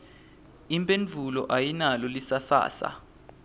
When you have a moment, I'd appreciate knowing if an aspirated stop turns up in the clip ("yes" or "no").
no